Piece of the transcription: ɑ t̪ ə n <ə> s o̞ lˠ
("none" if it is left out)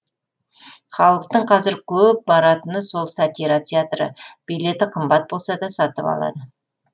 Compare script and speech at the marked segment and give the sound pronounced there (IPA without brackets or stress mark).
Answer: ə